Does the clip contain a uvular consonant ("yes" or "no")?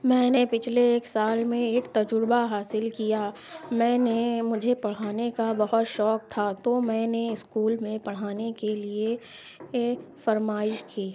no